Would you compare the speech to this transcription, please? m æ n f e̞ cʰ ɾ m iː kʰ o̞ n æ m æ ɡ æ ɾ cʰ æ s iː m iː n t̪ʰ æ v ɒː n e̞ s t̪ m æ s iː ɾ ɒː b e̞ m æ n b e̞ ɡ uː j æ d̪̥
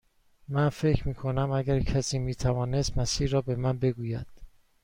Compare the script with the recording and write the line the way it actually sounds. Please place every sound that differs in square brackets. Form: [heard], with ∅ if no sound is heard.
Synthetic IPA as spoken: m æ n f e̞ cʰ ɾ m iː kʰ o̞ n æ m æ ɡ æ ɾ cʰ æ s iː m iː [∅] t̪ʰ æ v ɒː n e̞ s t̪ m æ s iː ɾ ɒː b e̞ m æ n b e̞ ɡ uː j æ d̪̥

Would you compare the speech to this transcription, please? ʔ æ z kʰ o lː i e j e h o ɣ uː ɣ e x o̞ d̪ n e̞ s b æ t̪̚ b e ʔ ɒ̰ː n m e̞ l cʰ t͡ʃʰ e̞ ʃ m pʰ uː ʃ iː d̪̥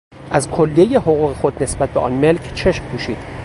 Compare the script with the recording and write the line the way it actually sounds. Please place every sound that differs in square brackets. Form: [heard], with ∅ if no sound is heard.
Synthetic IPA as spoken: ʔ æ z kʰ o lː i e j e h o ɣ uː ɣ e x o̞ d̪ n e̞ s b æ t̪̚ b e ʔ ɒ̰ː n m e̞ l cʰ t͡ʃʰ e̞ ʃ m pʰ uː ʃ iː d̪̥

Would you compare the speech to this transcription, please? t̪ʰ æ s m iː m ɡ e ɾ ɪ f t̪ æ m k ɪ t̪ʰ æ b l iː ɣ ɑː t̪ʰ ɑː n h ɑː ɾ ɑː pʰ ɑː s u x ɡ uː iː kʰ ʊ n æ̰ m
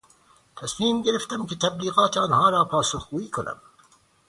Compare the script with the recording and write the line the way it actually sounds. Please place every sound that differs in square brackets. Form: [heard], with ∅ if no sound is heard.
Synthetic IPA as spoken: t̪ʰ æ s m iː m ɡ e ɾ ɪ f t̪ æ m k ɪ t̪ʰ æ b l iː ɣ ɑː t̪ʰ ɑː n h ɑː ɾ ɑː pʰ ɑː s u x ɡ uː iː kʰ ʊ n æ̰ m

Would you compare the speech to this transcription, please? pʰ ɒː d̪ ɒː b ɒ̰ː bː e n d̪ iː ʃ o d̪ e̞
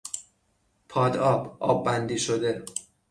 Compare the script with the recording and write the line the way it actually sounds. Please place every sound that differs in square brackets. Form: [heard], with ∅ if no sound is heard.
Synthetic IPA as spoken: pʰ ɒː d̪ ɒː b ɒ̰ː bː [æ] n d̪ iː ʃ o d̪ e̞

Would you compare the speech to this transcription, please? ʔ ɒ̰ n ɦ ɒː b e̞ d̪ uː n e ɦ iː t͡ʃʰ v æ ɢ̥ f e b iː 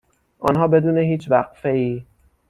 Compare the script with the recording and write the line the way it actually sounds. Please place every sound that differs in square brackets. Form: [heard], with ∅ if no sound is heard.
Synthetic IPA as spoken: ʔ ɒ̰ n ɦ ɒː b e̞ d̪ uː n e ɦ iː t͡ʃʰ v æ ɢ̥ f e [∅] iː

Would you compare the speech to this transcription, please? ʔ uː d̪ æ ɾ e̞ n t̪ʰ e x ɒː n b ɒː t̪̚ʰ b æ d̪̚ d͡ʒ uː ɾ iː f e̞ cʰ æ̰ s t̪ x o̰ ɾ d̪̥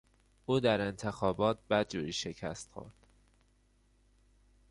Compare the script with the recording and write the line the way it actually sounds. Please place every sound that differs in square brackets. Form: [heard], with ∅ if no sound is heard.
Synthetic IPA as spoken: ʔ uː d̪ æ ɾ e̞ n t̪ʰ e x ɒː [∅] b ɒː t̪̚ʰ b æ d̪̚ d͡ʒ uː ɾ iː [ʃ] e̞ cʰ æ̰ s t̪ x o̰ ɾ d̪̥

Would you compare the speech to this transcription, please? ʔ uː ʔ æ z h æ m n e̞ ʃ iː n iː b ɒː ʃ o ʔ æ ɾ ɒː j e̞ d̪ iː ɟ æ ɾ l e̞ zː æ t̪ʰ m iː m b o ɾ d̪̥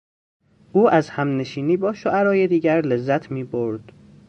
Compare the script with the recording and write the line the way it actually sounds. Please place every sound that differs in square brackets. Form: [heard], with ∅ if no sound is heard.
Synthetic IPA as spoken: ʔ uː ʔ æ z h æ m n e̞ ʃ iː n iː b ɒː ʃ o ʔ æ ɾ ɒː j e̞ d̪ iː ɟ æ ɾ l e̞ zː æ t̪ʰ m iː [∅] b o ɾ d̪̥

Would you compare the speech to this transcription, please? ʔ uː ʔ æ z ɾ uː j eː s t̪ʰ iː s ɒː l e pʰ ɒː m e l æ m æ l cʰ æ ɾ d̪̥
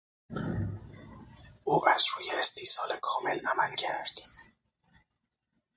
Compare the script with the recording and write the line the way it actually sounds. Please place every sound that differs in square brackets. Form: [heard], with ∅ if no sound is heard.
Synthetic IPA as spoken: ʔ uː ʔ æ z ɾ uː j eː s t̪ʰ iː s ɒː l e [kʰ] ɒː m e l æ m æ l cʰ æ ɾ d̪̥

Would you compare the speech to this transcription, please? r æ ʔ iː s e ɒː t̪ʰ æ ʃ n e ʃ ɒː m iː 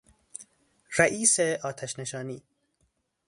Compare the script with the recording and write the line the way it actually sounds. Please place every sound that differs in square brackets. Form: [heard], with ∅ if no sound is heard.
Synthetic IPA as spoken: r æ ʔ iː s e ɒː t̪ʰ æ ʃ n e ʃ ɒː [n] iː

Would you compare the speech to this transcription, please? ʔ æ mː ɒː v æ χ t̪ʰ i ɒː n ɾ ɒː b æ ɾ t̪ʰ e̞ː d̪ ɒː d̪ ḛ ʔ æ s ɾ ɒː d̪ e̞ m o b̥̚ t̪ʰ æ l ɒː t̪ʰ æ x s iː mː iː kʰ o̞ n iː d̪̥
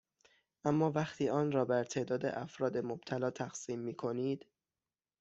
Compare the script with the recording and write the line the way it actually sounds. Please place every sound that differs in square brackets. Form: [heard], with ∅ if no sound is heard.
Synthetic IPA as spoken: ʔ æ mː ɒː v æ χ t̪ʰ [iː] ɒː n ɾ ɒː b æ ɾ t̪ʰ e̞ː d̪ ɒː d̪ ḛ ʔ æ [f] ɾ ɒː d̪ e̞ m o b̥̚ t̪ʰ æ l ɒː t̪ʰ æ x s iː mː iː kʰ o̞ n iː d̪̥

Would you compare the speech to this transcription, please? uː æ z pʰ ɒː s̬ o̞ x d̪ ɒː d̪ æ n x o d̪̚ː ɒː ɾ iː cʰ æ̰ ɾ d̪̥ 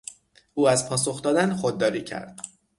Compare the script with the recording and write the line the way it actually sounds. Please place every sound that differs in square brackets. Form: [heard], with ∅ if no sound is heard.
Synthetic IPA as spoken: uː æ z pʰ ɒː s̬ o̞ x d̪ ɒː d̪ æ n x o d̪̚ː ɒː ɾ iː cʰ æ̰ ɾ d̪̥

